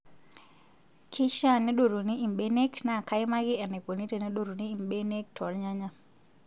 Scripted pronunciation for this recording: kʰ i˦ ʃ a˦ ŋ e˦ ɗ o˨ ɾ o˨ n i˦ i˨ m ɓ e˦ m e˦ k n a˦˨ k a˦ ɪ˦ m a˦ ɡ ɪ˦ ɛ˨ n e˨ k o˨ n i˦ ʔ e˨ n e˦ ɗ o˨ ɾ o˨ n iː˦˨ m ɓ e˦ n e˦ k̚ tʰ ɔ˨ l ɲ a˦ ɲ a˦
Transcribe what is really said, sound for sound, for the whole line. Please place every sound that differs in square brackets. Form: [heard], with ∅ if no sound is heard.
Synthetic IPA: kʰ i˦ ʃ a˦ [n] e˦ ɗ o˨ ɾ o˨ n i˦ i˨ m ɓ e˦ [n] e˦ k n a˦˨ k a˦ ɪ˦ m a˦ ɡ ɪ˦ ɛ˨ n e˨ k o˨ n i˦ [t] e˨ n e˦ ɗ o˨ ɾ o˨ n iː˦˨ m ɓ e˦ n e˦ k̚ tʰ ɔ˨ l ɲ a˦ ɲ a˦